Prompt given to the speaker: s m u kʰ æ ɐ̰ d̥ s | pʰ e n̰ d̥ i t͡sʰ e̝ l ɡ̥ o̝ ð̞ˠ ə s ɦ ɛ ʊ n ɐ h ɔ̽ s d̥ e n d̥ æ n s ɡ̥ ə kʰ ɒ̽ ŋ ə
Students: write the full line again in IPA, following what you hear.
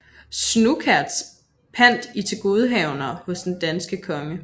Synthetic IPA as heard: s n u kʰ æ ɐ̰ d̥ s | pʰ æ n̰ d̥ i t͡sʰ e̝ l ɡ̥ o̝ ð̞ˠ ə ɦ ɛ ʊ n ɐ h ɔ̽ s d̥ e n d̥ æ n s ɡ̥ ə kʰ ɒ̽ ŋ ə